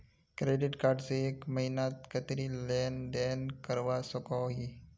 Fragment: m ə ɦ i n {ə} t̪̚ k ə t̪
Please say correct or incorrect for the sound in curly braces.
incorrect